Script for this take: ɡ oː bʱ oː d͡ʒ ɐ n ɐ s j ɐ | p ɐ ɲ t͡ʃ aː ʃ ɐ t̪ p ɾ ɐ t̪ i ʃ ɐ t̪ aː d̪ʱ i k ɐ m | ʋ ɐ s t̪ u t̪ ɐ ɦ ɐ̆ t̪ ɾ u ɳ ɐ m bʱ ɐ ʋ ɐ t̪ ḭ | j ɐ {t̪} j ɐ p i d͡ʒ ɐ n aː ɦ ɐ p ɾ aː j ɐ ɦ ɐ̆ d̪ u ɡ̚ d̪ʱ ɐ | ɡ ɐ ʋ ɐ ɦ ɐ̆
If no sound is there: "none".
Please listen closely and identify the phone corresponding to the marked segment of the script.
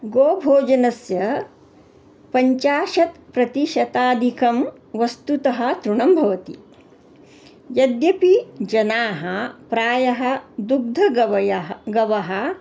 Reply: d̪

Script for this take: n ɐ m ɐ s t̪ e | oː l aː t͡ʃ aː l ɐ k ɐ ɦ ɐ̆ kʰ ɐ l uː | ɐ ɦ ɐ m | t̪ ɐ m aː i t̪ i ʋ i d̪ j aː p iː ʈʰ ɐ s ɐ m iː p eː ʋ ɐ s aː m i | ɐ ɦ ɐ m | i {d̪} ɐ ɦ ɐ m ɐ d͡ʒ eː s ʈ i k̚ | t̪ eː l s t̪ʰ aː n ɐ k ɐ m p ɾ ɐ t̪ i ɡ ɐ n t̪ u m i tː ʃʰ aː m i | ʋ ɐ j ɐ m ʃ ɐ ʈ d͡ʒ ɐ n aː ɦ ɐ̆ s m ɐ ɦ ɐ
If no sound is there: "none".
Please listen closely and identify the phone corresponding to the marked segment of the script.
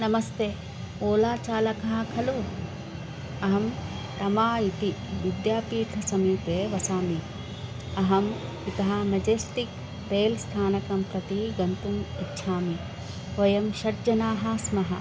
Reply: t̪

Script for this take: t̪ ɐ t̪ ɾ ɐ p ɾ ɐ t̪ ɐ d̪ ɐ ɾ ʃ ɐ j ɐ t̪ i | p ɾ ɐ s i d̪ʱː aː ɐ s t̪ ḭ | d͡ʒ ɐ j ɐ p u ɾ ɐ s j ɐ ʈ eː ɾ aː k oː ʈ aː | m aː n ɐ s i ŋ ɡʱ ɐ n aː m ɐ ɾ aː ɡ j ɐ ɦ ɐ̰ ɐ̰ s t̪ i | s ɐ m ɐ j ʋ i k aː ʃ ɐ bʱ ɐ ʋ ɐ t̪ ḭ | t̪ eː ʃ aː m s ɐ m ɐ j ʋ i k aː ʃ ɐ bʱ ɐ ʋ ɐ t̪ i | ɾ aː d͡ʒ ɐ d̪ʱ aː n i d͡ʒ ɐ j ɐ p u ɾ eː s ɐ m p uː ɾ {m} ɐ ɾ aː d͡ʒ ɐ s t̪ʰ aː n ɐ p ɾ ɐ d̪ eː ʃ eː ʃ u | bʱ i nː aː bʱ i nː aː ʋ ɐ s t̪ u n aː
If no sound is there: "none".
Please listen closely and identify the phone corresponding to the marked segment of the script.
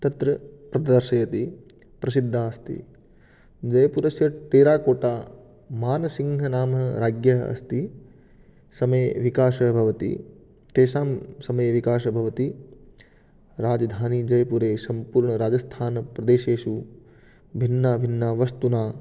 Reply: ɳ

